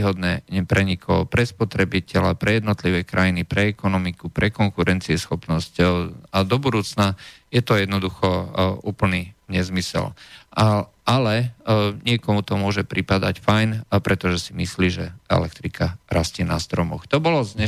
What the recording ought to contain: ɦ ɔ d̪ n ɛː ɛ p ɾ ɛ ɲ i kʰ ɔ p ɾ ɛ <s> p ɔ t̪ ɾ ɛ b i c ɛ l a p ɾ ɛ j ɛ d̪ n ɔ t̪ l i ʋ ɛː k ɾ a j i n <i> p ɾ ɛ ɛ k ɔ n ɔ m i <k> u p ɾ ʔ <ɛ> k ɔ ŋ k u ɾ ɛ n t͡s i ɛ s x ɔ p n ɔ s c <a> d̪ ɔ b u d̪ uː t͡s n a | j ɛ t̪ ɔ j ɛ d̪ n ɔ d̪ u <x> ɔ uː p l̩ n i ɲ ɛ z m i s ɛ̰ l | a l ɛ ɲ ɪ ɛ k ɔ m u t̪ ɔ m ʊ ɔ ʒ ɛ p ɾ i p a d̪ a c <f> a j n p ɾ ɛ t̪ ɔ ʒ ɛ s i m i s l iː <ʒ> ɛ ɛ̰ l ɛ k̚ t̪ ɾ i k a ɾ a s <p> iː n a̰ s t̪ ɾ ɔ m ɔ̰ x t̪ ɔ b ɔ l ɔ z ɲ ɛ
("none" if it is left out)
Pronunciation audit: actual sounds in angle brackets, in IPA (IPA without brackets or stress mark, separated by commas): s, i, k, ɛ, a, x, f, ʒ, c